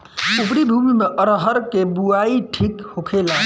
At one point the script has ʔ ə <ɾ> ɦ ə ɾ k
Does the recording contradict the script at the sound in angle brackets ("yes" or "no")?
no